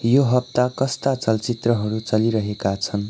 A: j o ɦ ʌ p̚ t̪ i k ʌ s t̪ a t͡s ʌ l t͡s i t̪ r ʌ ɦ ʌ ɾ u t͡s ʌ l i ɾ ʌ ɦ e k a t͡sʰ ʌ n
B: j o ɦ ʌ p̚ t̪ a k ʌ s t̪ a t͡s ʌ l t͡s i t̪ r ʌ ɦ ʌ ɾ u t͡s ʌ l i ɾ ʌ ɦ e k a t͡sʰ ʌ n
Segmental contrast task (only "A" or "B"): B